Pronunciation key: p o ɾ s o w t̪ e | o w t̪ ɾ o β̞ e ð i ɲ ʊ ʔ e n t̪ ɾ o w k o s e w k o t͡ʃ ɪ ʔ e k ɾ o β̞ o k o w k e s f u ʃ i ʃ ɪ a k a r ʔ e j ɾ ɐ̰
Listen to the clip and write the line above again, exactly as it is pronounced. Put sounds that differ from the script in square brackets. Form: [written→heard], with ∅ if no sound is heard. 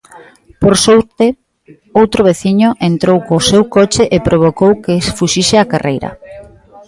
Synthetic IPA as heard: p o ɾ s o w t̪ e | o w t̪ ɾ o β̞ e [ð→θ] i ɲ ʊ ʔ e n t̪ ɾ o w k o s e w k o t͡ʃ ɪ ʔ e [k→p] ɾ o β̞ o k o w k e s f u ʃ i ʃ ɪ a k a r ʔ e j ɾ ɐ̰